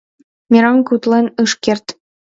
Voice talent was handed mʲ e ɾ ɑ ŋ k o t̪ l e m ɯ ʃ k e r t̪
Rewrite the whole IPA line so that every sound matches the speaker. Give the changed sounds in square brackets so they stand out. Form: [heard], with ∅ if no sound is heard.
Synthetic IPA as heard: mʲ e ɾ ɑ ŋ k [u] t̪ l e [n] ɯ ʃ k e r t̪